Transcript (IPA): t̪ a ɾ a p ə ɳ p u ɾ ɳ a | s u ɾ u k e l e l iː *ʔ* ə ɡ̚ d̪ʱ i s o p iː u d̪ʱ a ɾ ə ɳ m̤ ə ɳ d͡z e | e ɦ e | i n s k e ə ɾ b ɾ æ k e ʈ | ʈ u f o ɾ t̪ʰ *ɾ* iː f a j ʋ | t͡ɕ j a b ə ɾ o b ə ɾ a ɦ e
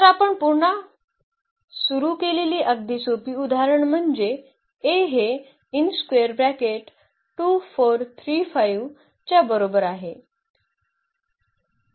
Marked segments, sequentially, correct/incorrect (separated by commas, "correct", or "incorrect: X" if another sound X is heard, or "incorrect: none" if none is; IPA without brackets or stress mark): correct, correct